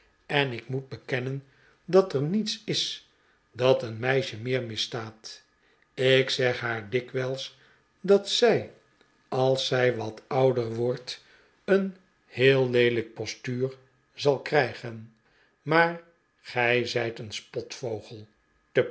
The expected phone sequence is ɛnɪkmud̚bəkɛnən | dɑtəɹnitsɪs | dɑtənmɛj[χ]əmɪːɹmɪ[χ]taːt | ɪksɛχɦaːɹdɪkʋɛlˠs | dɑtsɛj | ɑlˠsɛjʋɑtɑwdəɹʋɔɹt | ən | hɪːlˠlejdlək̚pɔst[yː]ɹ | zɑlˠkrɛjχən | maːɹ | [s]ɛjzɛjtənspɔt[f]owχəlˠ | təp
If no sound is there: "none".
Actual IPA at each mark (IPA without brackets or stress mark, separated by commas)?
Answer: ʃ, s, yː, χ, f